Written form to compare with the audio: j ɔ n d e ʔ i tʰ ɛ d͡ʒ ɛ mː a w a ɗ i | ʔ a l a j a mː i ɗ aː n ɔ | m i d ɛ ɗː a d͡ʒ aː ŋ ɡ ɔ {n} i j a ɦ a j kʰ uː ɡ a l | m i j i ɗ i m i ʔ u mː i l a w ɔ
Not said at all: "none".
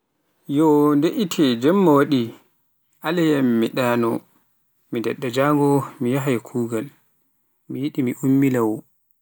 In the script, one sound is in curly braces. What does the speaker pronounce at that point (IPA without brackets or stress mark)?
m